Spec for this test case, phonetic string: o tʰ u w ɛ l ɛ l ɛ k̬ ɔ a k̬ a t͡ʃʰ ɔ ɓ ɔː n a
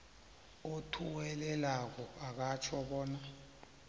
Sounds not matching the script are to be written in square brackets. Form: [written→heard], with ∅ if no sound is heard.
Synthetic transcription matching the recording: o tʰ u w ɛ l ɛ l [ɛ→a] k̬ ɔ a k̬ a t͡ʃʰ ɔ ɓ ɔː n a